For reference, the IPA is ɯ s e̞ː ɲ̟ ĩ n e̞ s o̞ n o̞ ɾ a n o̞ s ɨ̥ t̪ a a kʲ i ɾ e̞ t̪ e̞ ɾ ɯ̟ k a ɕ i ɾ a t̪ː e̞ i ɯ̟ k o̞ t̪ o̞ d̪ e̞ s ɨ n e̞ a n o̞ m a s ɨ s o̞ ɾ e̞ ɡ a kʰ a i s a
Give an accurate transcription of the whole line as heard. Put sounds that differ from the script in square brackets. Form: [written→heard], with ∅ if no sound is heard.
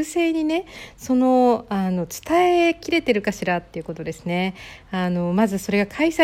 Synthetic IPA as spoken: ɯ s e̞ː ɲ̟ [ĩ→i] n e̞ s o̞ n o̞ [ɾ→∅] a n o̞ [s→t͡s] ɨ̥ t̪ a [a→e] kʲ i ɾ e̞ t̪ e̞ ɾ ɯ̟ k a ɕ i ɾ a t̪ː e̞ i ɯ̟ k o̞ t̪ o̞ d̪ e̞ s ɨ n e̞ a n o̞ m a [s→z] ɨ s o̞ ɾ e̞ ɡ a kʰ a i s a